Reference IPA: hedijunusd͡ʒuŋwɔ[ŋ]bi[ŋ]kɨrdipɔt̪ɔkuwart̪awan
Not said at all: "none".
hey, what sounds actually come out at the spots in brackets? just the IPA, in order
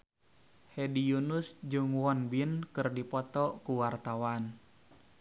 n, n

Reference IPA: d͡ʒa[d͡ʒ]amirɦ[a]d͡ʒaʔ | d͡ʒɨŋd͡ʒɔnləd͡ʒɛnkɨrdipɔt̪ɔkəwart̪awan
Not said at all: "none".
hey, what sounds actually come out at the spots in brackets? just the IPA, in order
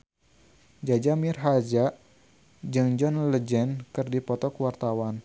d͡ʒ, a

